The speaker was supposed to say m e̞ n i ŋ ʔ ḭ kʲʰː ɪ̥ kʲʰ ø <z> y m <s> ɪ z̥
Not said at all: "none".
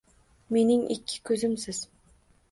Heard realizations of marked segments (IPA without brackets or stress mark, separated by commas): z, s